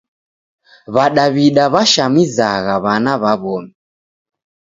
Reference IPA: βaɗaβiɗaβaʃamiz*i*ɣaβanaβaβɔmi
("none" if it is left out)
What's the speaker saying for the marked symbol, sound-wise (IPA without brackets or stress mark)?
a